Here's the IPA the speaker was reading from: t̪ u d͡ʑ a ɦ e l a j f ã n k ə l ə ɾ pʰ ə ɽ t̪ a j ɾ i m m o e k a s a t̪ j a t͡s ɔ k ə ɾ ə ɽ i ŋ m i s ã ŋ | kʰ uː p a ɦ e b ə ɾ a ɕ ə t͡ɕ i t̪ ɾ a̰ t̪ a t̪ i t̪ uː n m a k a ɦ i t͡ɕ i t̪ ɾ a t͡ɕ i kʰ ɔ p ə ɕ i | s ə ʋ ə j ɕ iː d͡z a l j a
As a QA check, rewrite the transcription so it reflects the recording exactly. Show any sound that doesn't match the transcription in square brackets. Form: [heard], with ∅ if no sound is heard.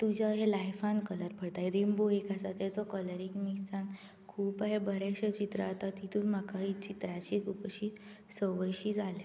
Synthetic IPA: t̪ u d͡ʑ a ɦ e l a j f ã n k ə l ə ɾ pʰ ə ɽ t̪ a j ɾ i m [b] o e k a s a t̪ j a t͡s ɔ k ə [l] ə [ɾ] i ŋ m i s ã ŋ | kʰ uː p a ɦ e b ə ɾ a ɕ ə t͡ɕ i t̪ ɾ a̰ t̪ a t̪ i t̪ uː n m a k a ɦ i t͡ɕ i t̪ ɾ a t͡ɕ i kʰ [u] p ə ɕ i | s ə ʋ ə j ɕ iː d͡z a l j a